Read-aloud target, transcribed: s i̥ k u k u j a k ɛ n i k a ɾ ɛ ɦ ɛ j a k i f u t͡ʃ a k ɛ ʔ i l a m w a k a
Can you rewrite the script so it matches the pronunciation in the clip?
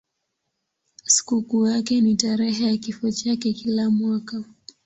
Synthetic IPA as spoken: s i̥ k u k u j a k ɛ n i t a ɾ ɛ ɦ ɛ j a k i f ɔ t͡ʃ a k ɛ k i l a m w a k a